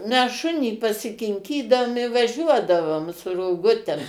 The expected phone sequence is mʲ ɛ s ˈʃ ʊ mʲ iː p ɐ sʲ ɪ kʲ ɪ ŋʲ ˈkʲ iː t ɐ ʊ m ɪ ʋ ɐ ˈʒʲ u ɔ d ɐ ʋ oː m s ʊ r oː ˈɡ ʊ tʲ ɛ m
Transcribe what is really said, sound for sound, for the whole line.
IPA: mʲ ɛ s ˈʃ ʊ nʲ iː p ɐ sʲ ɪ kʲ ɪ ŋʲ ˈkʲ iː d ɐ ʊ m ɪ ʋ ɐ ˈʒʲ u ɔ d ɐ ʋ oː m s ʊ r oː ˈɡ ʊ tʲ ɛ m